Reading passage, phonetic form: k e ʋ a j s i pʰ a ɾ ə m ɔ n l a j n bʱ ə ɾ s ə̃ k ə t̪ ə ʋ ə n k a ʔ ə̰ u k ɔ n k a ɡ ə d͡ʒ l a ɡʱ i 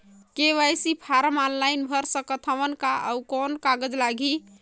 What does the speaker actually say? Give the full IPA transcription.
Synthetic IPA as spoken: k e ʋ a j s i pʰ a ɾ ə m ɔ n l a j n bʱ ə ɾ s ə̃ k ə t̪ʰ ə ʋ ə n k a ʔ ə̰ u k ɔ n k a ɡ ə d͡ʒ l a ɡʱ i